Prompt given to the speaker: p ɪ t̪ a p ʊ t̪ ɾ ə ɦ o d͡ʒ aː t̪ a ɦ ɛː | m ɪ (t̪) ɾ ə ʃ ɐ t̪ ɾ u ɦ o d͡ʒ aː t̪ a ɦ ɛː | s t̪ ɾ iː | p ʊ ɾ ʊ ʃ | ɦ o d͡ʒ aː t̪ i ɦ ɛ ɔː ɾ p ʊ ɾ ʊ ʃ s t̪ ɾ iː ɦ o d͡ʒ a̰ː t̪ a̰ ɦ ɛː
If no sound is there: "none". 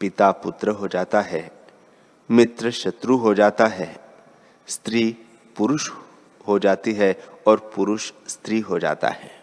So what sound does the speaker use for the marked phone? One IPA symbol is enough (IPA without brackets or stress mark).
t̪